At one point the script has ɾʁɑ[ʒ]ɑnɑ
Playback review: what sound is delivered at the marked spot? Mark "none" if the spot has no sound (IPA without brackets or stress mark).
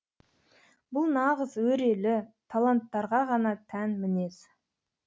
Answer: ʁ